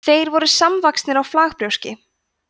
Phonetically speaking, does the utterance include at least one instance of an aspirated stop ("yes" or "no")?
no